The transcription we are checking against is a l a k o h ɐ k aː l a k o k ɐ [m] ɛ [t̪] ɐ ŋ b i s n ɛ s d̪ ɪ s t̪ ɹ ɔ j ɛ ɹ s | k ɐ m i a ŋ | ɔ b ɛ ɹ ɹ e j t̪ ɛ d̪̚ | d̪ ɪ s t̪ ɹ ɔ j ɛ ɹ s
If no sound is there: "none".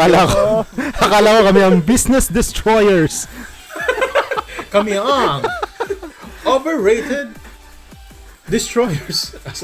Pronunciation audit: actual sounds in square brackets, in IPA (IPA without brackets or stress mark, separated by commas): m, none